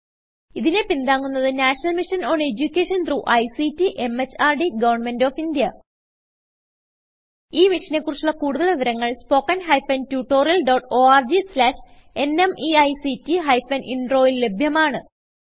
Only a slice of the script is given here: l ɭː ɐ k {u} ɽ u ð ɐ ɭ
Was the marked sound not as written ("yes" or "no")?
yes